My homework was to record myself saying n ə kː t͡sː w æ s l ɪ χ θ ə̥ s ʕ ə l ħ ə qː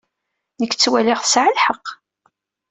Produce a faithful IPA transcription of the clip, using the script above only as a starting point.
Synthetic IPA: n ə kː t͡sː w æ l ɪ ʁ θ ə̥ s ʕ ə l ħ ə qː